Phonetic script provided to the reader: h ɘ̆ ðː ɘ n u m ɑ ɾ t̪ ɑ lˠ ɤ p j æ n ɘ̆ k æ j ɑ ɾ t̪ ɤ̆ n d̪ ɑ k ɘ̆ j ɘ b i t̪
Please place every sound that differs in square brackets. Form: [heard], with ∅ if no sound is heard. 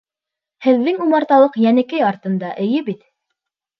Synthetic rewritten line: h ɘ̆ ðː ɘ [ŋ] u m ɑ ɾ t̪ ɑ lˠ ɤ [q] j æ n ɘ̆ k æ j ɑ ɾ t̪ ɤ̆ n d̪ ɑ [ʔ] ɘ̆ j ɘ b i t̪

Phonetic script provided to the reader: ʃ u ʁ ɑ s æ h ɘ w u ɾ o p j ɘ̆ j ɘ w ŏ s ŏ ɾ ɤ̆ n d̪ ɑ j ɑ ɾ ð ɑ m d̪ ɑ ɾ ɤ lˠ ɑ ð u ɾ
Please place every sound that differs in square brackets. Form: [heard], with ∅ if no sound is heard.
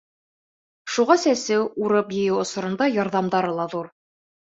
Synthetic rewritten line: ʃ u ʁ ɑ s æ [s] ɘ w u ɾ [ɤ] p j ɘ̆ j ɘ w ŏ s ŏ ɾ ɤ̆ n d̪ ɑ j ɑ ɾ ð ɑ m d̪ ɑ ɾ ɤ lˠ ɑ ð u ɾ

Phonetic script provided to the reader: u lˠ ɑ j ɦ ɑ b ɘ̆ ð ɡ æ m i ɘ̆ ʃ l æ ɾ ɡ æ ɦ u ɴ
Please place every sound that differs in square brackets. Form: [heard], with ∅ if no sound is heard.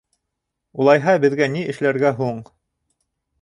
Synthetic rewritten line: u lˠ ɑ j ɦ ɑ b ɘ̆ ð ɡ æ [n] i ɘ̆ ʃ l æ ɾ ɡ æ ɦ u ɴ

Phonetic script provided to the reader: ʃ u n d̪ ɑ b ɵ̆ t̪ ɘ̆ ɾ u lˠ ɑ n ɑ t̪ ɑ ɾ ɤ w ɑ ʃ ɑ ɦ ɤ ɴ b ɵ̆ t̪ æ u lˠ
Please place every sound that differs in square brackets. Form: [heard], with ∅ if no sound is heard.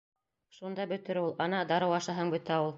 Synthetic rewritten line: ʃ u n d̪ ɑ b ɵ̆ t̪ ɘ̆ ɾ u lˠ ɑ n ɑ [d̪] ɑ ɾ ɤ w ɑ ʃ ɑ ɦ ɤ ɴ b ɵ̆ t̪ æ u lˠ

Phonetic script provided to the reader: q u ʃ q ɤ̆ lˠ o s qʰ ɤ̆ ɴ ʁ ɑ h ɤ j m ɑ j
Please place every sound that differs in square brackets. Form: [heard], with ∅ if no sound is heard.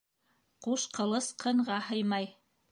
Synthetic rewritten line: q u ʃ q ɤ̆ lˠ [ɤ] s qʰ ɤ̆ ɴ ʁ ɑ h ɤ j m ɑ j

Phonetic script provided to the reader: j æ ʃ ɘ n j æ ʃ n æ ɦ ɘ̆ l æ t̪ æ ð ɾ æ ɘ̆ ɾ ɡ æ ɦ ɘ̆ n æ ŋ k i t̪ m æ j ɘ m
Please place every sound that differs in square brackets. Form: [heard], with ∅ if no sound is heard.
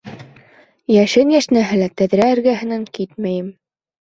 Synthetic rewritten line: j æ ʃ ɘ n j æ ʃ n æ ɦ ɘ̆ l æ t̪ æ ð ɾ æ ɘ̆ ɾ ɡ æ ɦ ɘ̆ n æ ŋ k i t̪ m æ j ɘ m

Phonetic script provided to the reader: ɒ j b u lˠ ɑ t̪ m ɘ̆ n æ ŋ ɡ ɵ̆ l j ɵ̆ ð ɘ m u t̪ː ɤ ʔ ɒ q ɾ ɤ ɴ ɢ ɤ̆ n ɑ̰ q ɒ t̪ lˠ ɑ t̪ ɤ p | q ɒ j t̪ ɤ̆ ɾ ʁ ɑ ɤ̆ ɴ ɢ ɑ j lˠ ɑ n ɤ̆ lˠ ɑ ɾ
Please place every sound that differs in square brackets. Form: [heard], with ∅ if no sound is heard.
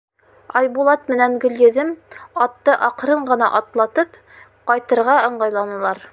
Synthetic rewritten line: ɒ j b u lˠ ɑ t̪ m ɘ̆ n æ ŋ ɡ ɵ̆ l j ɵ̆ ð ɘ m [ɒ] t̪ː ɤ ʔ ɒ q ɾ ɤ ɴ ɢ ɤ̆ n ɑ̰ [ʔ] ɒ t̪ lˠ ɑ t̪ ɤ p | q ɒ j t̪ ɤ̆ ɾ ʁ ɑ ɤ̆ ɴ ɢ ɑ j lˠ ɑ n ɤ̆ lˠ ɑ ɾ

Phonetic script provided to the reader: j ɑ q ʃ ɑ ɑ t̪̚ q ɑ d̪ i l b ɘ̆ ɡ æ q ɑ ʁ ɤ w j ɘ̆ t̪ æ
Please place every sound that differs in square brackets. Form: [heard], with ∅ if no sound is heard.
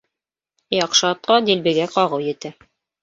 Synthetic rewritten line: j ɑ q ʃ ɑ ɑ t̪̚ q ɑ d̪ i l b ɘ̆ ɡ æ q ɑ ʁ ɤ w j ɘ̆ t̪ æ

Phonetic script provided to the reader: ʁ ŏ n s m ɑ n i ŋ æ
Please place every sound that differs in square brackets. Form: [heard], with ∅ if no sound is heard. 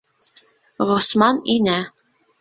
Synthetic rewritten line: ʁ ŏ [∅] s m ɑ n i [n] æ

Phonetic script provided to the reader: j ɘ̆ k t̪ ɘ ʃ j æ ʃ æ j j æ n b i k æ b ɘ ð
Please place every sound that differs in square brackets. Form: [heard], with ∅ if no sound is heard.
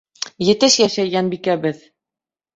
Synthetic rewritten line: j ɘ̆ [∅] t̪ ɘ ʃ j æ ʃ æ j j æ n b i k æ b ɘ ð

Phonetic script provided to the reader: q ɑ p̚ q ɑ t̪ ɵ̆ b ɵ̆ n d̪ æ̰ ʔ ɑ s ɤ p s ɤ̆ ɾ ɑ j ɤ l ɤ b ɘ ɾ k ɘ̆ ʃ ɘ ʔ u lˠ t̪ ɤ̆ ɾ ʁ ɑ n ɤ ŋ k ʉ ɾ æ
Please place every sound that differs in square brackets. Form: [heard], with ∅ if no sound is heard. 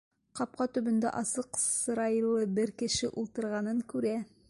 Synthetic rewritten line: q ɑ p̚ q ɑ t̪ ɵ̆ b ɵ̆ n d̪ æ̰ ʔ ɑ s ɤ [q] s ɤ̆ ɾ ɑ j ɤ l ɤ b ɘ ɾ k ɘ̆ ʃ ɘ ʔ u lˠ t̪ ɤ̆ ɾ ʁ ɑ n ɤ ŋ k ʉ ɾ æ

